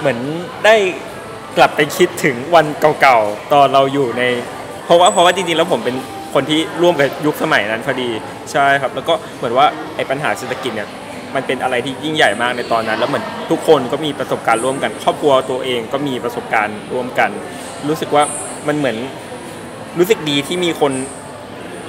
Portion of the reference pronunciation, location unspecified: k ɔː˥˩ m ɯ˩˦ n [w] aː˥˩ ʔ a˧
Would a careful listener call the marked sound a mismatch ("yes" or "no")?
no